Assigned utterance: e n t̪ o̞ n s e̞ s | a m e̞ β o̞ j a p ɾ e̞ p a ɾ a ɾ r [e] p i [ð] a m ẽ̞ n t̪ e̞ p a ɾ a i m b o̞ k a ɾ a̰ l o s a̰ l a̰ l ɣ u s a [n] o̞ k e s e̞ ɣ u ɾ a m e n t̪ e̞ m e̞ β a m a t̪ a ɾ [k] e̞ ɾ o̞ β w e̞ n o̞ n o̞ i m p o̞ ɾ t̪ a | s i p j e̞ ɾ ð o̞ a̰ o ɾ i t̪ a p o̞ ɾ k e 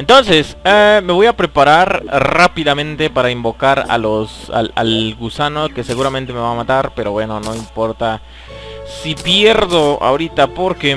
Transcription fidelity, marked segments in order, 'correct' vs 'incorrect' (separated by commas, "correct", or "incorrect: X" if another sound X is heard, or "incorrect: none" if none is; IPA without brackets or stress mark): incorrect: a, correct, correct, incorrect: p